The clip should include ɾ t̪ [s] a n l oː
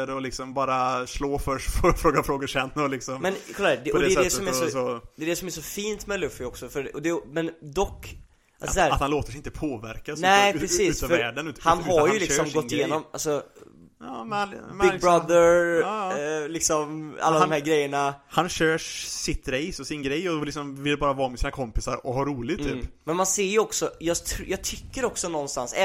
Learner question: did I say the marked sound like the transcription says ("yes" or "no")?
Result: no